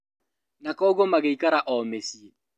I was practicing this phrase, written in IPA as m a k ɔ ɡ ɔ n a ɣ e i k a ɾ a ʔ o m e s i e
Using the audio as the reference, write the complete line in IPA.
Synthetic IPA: n a k ɔ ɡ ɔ m a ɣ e i k a ɾ a ʔ ɔ m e s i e